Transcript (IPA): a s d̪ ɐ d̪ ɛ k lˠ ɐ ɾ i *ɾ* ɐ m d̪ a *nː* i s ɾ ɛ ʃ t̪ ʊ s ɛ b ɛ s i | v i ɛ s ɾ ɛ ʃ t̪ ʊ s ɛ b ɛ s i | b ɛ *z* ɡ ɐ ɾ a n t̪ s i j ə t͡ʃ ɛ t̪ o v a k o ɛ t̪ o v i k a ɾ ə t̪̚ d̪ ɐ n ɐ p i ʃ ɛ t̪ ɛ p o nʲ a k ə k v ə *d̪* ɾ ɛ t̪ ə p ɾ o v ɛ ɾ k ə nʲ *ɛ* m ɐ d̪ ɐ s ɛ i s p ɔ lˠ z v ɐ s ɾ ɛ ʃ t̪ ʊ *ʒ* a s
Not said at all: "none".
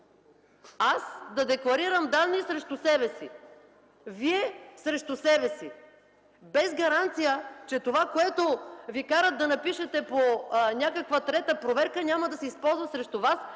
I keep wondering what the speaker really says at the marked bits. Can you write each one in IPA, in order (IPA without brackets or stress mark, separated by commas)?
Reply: ɾ, nː, z, t̪, a, v